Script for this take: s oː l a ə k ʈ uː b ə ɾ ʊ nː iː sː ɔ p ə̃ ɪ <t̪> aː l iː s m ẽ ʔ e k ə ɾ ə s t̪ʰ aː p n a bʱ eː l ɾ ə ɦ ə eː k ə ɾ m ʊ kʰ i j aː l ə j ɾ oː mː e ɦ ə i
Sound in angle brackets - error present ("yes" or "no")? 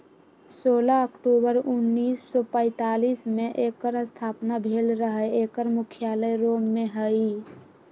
no